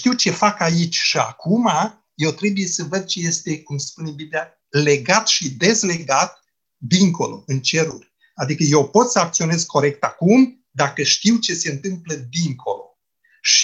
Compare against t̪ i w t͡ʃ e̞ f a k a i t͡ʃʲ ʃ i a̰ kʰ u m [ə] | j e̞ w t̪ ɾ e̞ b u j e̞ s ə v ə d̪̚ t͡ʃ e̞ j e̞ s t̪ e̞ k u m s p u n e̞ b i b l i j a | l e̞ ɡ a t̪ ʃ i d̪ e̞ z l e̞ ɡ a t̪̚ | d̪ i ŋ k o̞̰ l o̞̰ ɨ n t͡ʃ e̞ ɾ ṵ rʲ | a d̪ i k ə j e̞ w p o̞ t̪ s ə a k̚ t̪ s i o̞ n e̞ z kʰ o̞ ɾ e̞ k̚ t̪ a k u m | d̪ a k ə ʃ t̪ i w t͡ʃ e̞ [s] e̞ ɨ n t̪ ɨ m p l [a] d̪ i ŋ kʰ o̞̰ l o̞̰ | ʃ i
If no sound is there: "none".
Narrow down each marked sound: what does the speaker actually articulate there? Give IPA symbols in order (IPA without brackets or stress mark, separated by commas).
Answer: a, s, ə